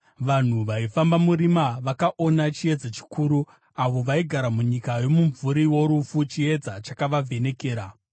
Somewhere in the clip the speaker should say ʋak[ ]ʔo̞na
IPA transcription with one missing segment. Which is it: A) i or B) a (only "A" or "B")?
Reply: B